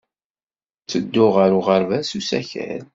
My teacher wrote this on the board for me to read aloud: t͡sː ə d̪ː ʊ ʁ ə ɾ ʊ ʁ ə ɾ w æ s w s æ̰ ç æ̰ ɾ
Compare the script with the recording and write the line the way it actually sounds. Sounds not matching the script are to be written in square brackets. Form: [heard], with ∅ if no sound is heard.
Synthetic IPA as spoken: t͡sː ə d̪ː ʊ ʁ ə ɾ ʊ ʁ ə ɾ [v] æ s [u] s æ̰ ç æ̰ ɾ